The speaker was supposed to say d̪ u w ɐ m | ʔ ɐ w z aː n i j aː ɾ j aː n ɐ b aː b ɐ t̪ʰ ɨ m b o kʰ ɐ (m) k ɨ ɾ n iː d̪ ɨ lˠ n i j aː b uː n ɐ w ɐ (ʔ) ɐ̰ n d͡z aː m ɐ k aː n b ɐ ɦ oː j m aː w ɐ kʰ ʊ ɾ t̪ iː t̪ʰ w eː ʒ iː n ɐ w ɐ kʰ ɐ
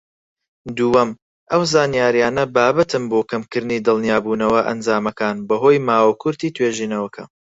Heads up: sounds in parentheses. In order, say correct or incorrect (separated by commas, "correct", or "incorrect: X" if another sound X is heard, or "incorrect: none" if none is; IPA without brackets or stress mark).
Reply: correct, correct